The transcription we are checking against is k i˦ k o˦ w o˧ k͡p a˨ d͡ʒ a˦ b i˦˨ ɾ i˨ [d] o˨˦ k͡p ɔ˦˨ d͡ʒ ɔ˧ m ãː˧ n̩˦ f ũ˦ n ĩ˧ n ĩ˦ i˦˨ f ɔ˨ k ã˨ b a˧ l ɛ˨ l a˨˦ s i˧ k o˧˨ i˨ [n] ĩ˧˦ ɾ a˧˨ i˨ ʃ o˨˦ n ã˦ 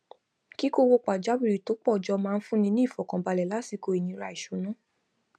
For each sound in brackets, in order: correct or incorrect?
incorrect: t, correct

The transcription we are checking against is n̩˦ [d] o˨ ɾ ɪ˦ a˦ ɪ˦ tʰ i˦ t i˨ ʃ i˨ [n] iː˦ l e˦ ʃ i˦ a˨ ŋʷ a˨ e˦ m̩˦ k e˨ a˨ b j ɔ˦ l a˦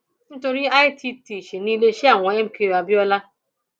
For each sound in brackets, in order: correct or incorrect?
incorrect: t, correct

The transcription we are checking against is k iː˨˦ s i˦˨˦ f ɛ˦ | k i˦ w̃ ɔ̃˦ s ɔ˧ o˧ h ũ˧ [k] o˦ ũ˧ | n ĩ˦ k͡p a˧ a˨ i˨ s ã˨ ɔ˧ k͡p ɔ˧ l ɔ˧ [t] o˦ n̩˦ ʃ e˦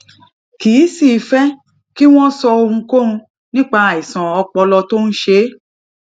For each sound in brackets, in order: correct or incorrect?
correct, correct

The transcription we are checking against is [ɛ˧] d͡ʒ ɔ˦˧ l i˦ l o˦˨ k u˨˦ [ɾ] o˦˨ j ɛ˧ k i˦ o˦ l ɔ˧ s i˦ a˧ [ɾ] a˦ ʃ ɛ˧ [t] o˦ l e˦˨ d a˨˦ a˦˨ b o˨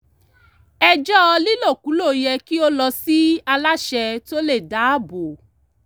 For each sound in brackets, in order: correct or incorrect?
correct, incorrect: l, incorrect: l, correct

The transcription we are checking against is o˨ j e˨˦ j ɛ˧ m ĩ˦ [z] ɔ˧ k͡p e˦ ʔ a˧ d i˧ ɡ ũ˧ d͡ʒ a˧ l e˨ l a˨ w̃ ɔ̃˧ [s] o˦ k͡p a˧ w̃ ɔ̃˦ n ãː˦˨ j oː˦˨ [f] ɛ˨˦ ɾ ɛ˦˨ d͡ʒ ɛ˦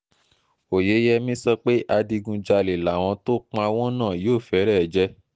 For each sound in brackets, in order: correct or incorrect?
incorrect: s, incorrect: t, correct

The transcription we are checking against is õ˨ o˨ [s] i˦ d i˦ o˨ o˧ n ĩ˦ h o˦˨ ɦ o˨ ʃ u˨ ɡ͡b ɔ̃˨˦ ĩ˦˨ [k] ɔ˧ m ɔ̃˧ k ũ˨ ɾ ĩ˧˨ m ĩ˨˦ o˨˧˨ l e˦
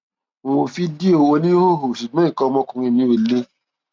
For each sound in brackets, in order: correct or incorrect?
incorrect: f, correct

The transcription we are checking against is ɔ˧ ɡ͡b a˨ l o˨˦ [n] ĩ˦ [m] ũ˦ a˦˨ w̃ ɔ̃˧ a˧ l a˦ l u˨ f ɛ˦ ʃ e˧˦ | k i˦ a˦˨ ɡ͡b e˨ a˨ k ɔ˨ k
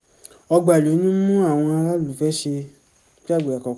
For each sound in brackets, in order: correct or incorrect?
correct, correct

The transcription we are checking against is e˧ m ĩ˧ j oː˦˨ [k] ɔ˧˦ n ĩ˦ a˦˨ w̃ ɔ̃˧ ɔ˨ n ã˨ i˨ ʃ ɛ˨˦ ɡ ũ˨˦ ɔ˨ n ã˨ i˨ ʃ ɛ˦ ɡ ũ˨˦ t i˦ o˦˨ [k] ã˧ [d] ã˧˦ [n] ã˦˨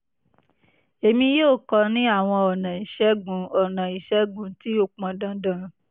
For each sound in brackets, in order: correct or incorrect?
correct, incorrect: k͡p, correct, incorrect: d

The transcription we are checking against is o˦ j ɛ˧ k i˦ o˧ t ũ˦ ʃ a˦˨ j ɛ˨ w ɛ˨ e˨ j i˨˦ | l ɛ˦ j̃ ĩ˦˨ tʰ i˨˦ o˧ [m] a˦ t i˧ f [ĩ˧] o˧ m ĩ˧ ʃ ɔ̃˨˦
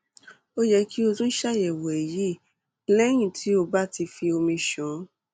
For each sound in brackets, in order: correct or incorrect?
incorrect: b, incorrect: i˧

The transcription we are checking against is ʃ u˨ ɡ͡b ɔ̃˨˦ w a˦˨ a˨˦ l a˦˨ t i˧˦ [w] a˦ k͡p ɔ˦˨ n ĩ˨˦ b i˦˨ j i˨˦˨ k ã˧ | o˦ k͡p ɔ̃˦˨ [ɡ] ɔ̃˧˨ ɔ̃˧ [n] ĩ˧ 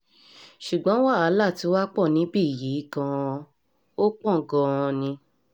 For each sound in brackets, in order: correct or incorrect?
correct, correct, correct

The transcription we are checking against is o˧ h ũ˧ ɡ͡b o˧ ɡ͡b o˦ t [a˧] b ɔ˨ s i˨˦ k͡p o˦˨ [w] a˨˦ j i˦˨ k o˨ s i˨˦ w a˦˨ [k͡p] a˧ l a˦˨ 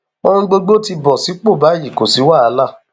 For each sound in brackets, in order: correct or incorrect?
incorrect: i˧, incorrect: b, incorrect: none

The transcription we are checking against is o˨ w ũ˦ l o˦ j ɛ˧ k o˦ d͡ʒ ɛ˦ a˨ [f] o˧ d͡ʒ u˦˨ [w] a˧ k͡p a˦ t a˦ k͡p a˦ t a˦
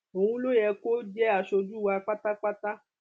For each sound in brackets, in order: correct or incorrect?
incorrect: ʃ, correct

